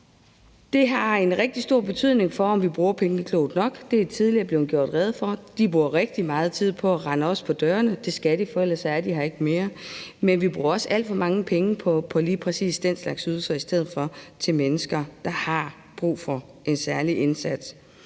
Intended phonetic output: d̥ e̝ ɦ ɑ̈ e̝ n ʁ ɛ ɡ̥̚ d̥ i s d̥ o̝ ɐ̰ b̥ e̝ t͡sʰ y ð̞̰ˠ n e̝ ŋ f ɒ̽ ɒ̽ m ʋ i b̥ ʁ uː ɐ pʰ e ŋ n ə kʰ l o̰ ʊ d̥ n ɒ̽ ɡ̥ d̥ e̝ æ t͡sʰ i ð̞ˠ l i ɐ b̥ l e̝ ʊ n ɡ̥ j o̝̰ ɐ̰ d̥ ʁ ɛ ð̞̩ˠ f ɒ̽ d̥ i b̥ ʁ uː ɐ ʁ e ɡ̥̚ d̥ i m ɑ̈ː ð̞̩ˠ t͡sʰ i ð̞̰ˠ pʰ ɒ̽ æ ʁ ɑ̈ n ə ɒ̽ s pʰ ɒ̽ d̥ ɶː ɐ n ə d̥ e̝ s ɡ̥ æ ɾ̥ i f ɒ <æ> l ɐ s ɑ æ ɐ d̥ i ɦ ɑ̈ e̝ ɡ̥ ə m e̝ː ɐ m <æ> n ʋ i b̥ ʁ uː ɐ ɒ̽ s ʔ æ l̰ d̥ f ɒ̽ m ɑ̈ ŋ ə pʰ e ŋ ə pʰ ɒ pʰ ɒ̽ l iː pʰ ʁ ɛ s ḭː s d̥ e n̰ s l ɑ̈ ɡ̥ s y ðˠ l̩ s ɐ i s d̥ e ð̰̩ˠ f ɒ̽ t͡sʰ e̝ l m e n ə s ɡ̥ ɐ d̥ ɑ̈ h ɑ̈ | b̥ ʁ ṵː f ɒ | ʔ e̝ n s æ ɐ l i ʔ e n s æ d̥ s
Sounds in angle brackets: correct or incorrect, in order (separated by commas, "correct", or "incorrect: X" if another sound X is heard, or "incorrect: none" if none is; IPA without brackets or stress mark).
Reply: incorrect: e, incorrect: e